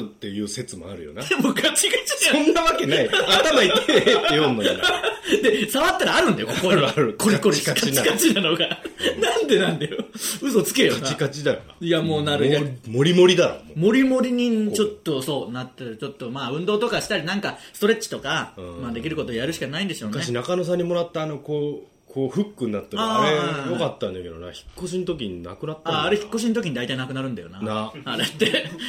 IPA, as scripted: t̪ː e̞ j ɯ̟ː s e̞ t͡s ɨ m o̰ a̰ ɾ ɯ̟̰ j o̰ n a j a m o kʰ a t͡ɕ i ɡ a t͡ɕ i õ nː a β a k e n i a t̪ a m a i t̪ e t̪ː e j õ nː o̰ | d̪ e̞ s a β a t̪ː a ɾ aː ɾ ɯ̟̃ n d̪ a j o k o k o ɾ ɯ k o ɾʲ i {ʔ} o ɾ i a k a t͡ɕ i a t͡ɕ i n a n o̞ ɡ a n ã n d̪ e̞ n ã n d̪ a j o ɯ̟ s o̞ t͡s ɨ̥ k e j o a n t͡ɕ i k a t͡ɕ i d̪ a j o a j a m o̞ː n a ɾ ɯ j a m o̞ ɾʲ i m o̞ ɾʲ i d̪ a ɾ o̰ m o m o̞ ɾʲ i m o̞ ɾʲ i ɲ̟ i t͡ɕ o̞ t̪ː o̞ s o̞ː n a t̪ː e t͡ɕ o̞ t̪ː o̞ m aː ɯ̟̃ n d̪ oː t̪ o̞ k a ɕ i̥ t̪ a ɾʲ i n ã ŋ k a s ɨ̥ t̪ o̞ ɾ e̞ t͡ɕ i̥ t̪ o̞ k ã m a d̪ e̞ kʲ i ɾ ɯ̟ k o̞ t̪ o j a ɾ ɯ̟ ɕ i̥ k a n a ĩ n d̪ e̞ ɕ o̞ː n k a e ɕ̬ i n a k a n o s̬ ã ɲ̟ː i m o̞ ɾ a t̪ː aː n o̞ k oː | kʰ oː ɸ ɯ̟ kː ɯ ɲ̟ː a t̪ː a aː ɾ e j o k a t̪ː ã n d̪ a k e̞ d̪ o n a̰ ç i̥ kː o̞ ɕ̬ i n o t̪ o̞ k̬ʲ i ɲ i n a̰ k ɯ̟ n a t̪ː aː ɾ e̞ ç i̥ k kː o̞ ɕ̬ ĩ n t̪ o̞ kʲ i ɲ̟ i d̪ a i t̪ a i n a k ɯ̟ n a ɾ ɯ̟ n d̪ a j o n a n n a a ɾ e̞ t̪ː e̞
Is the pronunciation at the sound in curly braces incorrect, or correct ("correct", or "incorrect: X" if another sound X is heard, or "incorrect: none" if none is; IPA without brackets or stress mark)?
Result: incorrect: k